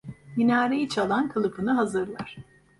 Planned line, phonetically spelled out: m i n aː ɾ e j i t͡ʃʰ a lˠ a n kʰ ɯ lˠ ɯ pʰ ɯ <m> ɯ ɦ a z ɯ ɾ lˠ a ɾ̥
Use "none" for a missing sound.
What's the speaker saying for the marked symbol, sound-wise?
n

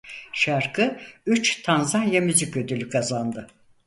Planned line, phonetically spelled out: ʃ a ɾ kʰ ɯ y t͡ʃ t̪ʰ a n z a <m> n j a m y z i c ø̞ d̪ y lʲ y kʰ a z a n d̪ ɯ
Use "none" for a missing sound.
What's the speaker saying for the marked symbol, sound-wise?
none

